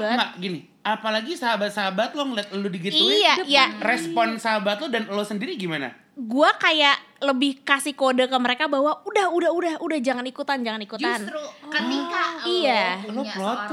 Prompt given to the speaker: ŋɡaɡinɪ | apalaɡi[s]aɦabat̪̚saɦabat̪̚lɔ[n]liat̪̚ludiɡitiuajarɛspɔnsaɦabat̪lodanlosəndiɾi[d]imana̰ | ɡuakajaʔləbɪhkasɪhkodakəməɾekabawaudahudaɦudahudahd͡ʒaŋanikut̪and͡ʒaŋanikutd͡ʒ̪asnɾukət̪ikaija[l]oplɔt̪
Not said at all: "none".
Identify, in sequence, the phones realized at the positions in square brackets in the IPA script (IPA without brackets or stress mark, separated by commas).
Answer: s, ŋ, ɡ, l